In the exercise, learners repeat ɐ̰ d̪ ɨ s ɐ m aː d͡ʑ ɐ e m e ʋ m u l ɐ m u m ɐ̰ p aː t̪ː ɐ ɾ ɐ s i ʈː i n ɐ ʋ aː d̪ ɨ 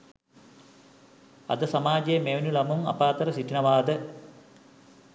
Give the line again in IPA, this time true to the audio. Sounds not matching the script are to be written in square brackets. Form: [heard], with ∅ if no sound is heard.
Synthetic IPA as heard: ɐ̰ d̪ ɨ s ɐ m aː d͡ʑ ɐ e m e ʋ [n] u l ɐ m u m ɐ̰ p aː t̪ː ɐ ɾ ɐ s i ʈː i n ɐ ʋ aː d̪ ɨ